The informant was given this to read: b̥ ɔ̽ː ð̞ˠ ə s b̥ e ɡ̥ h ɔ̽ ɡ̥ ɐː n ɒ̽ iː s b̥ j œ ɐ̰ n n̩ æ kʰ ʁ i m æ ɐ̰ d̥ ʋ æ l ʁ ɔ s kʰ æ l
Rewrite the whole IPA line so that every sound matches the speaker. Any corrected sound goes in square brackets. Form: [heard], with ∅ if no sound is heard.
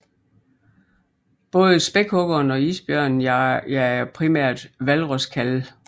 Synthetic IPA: b̥ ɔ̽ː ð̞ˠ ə s b̥ e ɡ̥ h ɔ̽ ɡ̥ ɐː n ɒ̽ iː s b̥ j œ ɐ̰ n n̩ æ [pʰ] ʁ i m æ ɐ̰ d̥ ʋ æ l ʁ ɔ s kʰ æ l